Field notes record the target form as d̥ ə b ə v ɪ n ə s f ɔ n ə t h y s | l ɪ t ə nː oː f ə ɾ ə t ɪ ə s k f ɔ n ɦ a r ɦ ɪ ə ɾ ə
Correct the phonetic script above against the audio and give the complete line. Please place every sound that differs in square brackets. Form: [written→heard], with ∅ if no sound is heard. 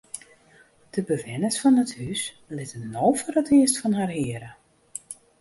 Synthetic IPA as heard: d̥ ə b ə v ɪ n ə s f ɔ n ə t h y s | l ɪ t ə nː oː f ə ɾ ə t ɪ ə s [k→t] f ɔ n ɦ a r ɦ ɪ ə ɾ ə